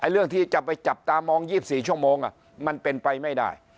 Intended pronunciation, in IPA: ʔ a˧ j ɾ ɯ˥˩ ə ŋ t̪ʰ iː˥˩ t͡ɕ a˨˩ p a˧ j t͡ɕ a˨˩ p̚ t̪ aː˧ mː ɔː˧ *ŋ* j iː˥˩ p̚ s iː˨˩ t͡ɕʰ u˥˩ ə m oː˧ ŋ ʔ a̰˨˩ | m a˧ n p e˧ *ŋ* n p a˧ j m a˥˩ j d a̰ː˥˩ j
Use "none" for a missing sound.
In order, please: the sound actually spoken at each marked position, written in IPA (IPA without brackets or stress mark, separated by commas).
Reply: ŋ, none